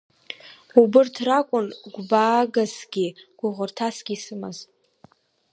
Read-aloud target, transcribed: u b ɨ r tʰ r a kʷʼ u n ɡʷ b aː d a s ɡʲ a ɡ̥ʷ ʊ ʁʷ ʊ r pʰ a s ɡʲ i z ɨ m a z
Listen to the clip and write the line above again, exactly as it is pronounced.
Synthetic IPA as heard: u b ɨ r tʰ r a kʷʼ ʊ n ɡʷ b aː ɡ a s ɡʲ i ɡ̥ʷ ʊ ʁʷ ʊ r tʰ a s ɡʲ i s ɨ m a z